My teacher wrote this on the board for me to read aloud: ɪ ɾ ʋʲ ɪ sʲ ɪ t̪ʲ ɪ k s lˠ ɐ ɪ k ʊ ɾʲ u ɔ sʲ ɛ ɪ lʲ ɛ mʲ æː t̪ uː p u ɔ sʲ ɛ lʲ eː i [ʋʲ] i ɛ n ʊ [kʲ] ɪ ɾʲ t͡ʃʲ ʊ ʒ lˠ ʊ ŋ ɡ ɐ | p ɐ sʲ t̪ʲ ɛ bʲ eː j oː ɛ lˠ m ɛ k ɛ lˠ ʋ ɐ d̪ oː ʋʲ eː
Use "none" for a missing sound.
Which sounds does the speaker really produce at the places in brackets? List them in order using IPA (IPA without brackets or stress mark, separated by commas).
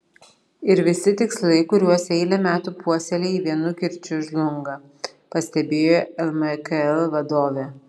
ʋʲ, kʲ